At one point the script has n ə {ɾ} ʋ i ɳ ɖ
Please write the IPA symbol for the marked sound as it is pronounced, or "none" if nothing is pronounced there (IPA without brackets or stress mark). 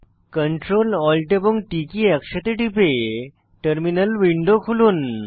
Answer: l